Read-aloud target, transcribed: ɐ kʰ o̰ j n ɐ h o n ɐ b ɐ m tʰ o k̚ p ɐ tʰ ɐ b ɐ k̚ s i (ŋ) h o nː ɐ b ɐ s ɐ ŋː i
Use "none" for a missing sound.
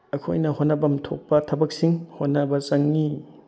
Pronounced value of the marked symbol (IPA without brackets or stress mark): ŋ